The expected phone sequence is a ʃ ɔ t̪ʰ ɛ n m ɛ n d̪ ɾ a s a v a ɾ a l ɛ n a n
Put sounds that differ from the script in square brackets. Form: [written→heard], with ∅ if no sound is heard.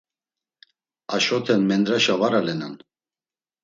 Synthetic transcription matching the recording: a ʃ ɔ t̪ʰ ɛ n m ɛ n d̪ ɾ a [s→ʃ] a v a ɾ a l ɛ n a n